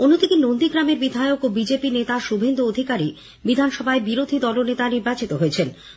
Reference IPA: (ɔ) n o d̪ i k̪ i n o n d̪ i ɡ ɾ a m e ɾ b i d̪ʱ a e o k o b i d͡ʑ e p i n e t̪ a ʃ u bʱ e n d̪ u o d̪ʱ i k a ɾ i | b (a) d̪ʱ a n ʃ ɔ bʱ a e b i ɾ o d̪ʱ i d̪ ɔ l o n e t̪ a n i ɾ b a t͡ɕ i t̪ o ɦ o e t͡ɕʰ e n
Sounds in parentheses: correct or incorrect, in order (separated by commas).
incorrect, incorrect